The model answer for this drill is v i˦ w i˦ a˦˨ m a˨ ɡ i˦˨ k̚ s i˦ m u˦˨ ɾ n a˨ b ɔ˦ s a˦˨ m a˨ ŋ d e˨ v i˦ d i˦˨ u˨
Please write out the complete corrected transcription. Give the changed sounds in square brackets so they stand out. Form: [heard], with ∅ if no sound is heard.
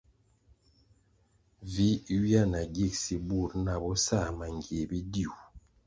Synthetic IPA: v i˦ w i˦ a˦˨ [n] a˨ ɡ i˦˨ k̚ s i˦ [b] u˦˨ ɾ n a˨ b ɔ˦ s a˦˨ m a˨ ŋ [ɡ] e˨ [b] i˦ d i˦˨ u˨

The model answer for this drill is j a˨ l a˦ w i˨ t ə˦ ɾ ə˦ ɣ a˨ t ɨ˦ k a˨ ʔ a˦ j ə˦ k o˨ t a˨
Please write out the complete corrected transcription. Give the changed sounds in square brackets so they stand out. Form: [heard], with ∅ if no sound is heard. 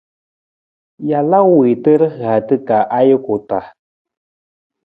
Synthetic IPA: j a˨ l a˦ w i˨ t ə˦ ɾ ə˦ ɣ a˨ t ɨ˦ k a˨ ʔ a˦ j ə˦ k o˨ t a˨

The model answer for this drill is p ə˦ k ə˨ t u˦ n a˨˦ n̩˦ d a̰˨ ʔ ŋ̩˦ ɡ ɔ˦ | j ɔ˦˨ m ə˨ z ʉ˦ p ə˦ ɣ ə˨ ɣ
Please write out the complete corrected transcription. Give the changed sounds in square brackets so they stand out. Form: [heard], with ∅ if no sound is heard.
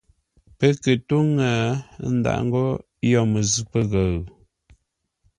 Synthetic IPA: p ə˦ k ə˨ t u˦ [ŋ] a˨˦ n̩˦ d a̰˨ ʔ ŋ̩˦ ɡ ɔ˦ | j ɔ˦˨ m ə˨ z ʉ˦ p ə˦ ɣ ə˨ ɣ

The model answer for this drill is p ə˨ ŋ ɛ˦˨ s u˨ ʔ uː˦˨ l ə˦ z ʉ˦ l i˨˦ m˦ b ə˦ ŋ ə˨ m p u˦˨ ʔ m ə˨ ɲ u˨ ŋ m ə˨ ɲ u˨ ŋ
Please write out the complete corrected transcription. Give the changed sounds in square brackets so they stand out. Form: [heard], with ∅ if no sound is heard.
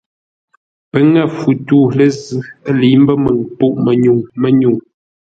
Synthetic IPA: p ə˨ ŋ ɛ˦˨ [f] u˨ [t] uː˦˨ l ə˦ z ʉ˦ l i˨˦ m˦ b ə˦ [m] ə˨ [ŋ] p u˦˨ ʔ m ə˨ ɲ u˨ ŋ m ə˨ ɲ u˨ ŋ

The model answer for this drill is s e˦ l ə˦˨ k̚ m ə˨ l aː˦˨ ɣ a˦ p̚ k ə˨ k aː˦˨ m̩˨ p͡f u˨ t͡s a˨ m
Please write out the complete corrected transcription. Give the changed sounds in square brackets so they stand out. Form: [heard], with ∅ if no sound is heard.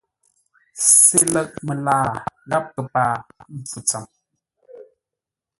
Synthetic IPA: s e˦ l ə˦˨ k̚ m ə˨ l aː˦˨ ɣ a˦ p̚ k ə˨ [p] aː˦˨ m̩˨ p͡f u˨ t͡s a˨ m

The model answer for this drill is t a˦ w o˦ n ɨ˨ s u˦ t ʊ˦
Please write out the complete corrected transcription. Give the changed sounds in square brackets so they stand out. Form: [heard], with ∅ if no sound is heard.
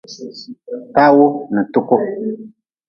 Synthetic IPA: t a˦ w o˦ n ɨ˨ [t] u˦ [k] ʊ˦

